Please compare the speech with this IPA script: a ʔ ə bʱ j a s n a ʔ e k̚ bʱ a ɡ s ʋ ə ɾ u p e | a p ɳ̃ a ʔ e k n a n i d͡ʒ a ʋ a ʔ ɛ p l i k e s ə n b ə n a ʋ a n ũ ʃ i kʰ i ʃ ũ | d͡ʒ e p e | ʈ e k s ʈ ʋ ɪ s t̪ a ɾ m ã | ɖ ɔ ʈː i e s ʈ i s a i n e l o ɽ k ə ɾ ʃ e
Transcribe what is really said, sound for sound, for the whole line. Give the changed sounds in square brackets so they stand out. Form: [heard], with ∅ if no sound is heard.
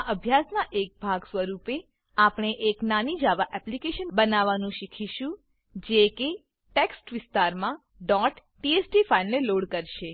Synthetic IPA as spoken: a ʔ ə bʱ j a s n a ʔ e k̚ bʱ a ɡ s ʋ ə ɾ u p e | a p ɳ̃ [e] ʔ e k n a n i d͡ʒ a ʋ a ʔ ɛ p l i k e [ʃ] ə n b ə n a ʋ a n ũ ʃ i kʰ i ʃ ũ | d͡ʒ e [k] e | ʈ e k s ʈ ʋ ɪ s t̪ a ɾ m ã | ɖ ɔ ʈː i e s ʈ i [f] a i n e l o ɽ k ə ɾ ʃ e